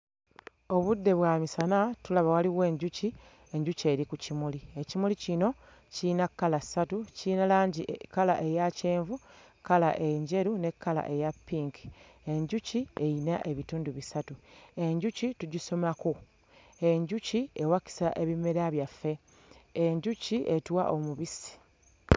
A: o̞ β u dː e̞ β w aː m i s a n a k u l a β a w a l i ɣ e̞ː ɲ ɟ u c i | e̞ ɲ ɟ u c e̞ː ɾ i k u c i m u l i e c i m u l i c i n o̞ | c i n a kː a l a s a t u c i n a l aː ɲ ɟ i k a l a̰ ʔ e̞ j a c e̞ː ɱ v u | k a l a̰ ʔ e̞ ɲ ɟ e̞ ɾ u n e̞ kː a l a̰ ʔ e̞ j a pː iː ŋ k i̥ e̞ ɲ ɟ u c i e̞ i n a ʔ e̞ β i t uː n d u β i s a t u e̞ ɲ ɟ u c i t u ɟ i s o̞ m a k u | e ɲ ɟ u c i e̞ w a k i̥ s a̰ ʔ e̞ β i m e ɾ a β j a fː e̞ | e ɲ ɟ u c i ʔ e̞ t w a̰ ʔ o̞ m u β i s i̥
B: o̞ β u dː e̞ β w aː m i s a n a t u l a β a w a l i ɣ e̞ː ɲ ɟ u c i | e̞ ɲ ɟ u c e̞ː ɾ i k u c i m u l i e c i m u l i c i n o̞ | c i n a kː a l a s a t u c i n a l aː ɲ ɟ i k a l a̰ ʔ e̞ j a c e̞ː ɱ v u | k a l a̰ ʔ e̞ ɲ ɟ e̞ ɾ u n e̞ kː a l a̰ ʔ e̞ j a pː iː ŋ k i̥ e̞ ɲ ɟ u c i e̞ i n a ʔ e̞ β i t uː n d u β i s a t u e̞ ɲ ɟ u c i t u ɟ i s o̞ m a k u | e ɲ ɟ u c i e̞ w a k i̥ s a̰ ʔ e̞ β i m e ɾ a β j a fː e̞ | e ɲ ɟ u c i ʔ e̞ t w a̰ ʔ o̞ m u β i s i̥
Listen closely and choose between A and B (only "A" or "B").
B